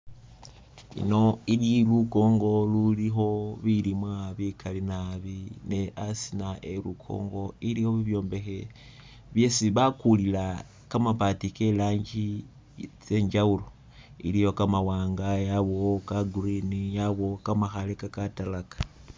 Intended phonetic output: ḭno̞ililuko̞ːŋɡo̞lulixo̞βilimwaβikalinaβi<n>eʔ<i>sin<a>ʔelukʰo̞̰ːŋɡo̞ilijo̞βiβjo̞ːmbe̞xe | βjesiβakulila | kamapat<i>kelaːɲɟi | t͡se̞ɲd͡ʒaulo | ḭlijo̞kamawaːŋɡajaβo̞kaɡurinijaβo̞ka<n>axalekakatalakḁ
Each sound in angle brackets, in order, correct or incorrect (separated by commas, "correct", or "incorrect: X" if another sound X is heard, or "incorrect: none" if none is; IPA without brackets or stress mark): correct, incorrect: a, correct, correct, incorrect: m